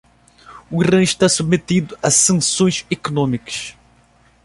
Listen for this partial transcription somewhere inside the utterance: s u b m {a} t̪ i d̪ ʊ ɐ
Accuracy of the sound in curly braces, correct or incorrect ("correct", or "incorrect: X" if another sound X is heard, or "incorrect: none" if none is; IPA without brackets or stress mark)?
incorrect: e